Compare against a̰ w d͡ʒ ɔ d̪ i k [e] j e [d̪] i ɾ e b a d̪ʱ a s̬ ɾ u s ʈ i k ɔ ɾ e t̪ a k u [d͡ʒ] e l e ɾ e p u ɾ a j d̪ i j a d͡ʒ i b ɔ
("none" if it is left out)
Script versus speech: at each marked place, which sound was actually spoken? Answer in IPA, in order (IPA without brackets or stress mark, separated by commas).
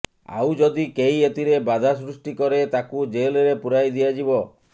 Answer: e, t̪, d͡ʒ